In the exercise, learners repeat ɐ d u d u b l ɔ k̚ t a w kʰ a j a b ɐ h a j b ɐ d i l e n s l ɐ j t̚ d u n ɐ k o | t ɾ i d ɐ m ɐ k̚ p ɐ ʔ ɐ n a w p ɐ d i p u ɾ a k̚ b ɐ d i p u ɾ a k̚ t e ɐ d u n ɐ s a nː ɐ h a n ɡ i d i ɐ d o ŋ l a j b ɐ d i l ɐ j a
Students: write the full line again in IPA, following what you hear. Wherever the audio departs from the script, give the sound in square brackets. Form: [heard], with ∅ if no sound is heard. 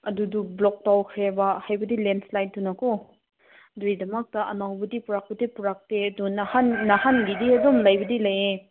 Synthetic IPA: ɐ d u d u b l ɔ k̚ t a w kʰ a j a b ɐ h a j b ɐ d i l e n s l [a] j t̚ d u n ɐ k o | [d] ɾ i d ɐ m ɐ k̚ [t] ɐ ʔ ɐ n a w [b] ɐ d i p u ɾ a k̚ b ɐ d i p u ɾ a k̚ t e ɐ d u n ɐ [h] a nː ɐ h a n ɡ i d i ɐ d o [m] l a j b ɐ d i l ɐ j [e]